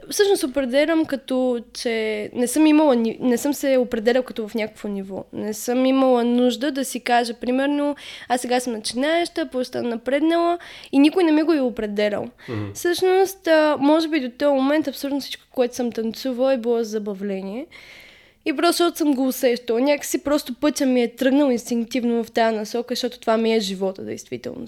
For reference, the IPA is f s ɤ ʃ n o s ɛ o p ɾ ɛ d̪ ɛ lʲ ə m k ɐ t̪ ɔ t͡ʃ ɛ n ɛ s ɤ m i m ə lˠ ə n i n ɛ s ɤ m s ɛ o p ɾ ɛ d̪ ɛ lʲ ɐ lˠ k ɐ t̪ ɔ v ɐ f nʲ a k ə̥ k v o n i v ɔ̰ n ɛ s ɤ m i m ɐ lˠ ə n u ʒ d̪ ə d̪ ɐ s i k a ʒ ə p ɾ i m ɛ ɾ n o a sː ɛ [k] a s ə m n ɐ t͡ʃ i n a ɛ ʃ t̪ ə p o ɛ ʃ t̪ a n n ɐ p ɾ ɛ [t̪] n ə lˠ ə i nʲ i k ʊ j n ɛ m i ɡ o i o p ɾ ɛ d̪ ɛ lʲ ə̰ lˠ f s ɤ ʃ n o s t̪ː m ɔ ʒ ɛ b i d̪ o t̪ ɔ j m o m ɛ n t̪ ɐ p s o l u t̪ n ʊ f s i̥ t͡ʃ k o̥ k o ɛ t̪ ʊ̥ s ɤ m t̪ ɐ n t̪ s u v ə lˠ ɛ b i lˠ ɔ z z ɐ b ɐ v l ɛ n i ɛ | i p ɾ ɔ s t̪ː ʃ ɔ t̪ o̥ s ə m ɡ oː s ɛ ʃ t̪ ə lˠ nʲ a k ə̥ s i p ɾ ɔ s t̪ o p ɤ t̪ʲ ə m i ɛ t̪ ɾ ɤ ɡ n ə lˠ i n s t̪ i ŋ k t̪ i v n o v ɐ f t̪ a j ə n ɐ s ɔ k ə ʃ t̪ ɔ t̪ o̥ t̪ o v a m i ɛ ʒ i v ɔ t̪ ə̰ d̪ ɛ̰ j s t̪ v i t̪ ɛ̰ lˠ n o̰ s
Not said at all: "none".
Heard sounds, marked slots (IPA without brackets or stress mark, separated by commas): ɡ, d̪